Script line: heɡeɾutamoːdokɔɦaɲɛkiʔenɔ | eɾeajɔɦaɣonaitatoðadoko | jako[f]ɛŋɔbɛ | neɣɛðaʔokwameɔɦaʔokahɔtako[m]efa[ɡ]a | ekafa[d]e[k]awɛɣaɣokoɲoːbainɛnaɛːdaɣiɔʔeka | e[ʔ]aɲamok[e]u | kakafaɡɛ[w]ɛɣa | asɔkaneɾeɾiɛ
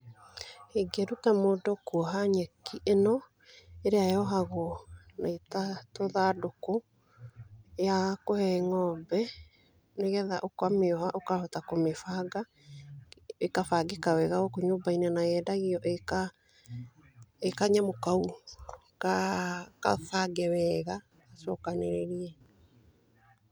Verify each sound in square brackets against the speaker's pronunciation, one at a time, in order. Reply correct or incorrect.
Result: incorrect, correct, correct, incorrect, correct, incorrect, incorrect, correct

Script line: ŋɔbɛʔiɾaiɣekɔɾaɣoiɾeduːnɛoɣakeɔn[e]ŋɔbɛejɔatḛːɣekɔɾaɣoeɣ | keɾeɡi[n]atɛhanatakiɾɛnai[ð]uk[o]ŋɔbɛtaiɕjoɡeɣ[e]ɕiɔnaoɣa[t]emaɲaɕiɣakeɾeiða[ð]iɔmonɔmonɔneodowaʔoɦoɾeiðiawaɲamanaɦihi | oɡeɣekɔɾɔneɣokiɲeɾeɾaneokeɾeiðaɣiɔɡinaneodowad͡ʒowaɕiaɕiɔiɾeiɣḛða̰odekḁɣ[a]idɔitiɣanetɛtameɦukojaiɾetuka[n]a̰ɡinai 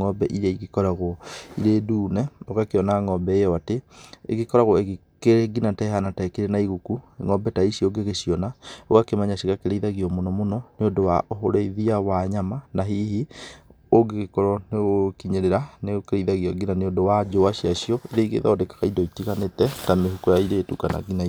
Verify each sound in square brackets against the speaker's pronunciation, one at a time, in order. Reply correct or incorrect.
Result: incorrect, correct, incorrect, incorrect, correct, incorrect, incorrect, correct, correct

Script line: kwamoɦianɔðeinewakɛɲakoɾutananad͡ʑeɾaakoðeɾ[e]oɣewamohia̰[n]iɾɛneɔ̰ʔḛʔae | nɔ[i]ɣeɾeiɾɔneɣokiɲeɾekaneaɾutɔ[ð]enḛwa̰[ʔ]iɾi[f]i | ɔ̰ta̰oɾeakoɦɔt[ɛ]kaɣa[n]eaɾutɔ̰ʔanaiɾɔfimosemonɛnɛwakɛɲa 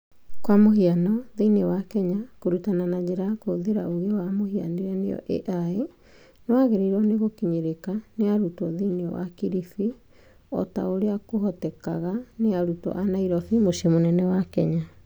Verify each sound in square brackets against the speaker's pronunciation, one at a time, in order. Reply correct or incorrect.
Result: incorrect, correct, incorrect, correct, incorrect, correct, correct, correct

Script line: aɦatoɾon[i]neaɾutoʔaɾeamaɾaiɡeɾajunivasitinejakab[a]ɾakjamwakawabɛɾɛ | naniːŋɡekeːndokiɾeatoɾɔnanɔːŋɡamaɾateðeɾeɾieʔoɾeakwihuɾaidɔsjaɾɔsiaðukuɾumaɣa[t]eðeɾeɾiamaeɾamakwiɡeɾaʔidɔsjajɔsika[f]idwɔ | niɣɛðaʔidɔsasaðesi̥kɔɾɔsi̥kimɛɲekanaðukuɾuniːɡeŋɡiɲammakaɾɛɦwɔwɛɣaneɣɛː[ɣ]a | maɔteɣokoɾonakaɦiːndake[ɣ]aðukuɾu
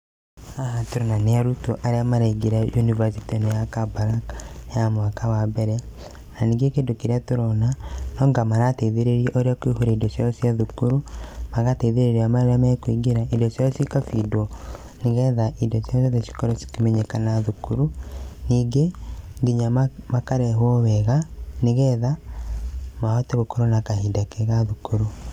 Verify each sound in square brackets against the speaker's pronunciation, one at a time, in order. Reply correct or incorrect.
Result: incorrect, correct, correct, correct, incorrect, correct

